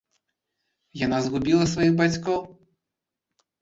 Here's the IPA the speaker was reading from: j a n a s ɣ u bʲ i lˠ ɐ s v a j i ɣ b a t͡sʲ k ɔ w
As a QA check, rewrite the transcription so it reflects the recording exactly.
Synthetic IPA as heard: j a n a z ɣ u bʲ i lˠ ɐ s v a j i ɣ b a t͡sʲ k ɔ w